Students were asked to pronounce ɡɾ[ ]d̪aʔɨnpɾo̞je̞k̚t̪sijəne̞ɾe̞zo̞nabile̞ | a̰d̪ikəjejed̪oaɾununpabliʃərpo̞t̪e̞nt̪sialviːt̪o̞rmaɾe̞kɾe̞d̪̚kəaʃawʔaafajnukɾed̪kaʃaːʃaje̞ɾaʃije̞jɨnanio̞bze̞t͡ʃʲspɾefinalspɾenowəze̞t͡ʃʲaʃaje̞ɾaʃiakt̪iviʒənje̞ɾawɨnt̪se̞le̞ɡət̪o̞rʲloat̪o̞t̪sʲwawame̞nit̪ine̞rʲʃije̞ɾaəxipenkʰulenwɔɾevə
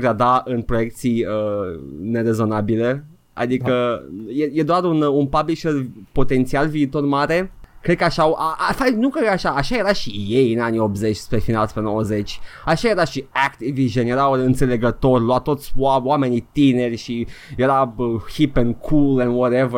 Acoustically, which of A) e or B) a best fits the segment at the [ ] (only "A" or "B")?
B